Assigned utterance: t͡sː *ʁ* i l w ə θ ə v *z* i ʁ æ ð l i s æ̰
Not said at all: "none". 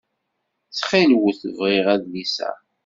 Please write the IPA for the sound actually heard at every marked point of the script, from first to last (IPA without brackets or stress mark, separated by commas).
χ, ʁ